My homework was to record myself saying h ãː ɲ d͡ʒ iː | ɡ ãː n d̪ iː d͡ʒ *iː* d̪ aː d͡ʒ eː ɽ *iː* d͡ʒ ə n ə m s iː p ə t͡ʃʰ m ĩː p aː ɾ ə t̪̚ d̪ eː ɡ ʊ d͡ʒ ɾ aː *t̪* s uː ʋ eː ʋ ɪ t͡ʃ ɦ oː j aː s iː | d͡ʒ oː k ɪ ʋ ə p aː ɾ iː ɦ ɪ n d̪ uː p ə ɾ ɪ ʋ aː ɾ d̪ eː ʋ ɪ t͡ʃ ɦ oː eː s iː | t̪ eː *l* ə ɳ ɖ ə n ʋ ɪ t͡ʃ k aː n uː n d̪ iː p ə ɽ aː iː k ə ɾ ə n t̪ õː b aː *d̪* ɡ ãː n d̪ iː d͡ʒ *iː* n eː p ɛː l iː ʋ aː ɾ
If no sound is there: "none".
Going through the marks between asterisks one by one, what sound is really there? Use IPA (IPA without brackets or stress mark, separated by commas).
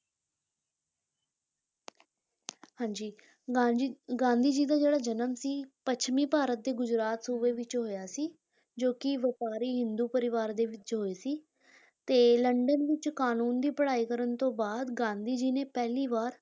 iː, aː, t̪, l, d̪, iː